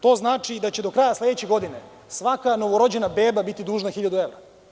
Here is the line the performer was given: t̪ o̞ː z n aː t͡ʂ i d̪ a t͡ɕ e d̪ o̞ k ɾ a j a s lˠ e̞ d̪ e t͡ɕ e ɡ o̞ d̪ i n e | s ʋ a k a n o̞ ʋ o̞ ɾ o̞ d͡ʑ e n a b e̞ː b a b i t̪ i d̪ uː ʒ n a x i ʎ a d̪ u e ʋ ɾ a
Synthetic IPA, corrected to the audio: t̪ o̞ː z n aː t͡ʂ i d̪ a t͡ɕ e d̪ o̞ k ɾ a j a s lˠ e̞ d̪ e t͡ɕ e ɡ o̞ d̪ i n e | s ʋ a k a n o̞ ʋ o̞ ɾ o̞ d͡ʑ e n a b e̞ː b a b i t̪ i d̪ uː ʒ n a x i ʎ a d̪ u e ʋ ɾ a